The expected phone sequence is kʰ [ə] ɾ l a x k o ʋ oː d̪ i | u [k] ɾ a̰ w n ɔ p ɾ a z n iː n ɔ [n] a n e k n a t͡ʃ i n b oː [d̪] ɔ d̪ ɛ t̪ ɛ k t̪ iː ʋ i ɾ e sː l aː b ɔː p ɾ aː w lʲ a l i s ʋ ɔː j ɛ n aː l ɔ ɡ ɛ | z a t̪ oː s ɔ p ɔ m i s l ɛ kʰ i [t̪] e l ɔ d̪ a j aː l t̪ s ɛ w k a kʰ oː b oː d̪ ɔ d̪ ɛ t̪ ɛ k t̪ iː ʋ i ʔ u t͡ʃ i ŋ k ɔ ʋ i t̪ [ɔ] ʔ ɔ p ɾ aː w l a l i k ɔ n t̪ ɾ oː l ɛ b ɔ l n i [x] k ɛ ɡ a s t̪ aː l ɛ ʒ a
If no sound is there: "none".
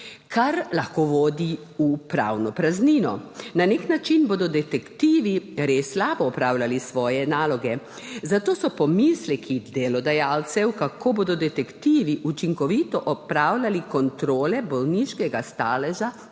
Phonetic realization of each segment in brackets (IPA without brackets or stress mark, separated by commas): a, p, n, d̪, d̪, ɔ, ʃ